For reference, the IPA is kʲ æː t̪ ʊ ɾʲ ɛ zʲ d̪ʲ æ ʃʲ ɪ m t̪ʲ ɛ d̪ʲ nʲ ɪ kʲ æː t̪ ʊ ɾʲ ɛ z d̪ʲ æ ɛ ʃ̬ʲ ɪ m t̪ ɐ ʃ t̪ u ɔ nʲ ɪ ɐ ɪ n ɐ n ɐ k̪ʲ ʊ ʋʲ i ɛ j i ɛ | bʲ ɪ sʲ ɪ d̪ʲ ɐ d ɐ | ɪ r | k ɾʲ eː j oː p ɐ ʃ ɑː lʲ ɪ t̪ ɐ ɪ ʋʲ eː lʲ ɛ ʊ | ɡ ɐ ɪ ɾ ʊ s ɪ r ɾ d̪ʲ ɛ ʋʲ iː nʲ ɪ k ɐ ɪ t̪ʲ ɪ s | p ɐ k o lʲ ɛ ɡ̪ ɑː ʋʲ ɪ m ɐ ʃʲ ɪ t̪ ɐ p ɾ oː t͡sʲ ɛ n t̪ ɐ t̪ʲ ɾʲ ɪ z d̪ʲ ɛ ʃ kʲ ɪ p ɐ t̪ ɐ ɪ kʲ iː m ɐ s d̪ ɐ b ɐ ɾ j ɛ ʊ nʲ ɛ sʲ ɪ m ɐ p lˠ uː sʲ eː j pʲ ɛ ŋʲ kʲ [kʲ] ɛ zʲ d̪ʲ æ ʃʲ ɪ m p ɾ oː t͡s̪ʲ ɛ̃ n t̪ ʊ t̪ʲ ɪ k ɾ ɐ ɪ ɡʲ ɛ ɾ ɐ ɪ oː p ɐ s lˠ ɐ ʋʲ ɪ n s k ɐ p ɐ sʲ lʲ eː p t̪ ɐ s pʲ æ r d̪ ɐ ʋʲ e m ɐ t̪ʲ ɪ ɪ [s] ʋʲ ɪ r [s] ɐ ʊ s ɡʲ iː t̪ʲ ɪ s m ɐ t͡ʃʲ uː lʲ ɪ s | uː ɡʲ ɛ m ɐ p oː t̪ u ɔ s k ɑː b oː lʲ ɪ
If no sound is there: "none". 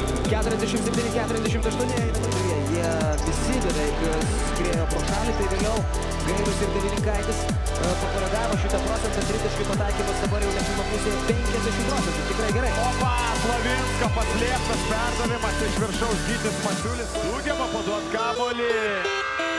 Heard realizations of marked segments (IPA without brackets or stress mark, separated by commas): kʲ, ʃ, ʃ